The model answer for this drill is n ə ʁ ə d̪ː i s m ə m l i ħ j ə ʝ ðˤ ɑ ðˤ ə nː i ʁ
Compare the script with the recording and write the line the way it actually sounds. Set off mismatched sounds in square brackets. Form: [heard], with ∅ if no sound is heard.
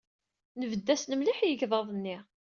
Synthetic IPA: n ə [v] ə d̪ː [æ] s [n] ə m l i ħ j ə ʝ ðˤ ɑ ðˤ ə nː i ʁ